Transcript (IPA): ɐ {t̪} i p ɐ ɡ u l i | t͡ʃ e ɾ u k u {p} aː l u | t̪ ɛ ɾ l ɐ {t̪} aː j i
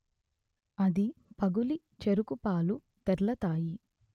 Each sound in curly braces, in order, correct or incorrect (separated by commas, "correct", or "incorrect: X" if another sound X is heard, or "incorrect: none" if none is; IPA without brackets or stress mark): incorrect: d̪, correct, correct